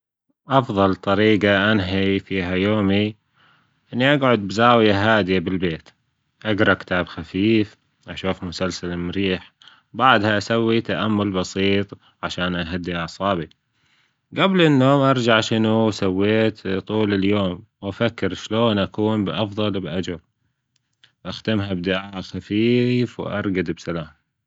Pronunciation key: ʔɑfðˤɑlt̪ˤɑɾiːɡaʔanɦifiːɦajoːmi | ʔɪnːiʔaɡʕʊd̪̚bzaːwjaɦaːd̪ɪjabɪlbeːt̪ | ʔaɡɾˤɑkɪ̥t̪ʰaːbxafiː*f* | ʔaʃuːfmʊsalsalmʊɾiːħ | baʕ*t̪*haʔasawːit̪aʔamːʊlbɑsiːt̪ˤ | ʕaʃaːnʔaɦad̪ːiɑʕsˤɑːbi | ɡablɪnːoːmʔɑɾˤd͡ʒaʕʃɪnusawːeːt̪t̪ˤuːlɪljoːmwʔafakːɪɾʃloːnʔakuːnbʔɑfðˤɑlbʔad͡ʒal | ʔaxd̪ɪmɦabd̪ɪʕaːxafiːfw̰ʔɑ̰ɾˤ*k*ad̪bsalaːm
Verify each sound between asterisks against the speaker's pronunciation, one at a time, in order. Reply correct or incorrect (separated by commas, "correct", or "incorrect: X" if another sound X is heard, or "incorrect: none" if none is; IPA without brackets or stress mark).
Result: correct, incorrect: d̪, incorrect: ɡ